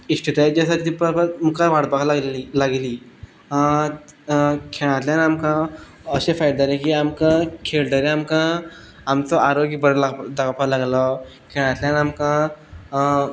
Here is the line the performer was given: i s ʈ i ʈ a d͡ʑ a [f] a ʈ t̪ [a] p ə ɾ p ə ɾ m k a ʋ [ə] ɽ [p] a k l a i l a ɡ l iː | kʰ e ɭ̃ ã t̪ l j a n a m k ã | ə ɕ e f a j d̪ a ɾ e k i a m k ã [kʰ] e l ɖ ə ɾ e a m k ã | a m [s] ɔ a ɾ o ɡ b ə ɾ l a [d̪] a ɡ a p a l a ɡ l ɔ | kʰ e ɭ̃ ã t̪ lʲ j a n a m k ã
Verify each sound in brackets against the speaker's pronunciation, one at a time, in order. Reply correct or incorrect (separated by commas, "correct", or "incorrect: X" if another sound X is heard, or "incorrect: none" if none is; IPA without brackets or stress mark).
incorrect: s, incorrect: i, incorrect: a, incorrect: b, correct, incorrect: t͡s, correct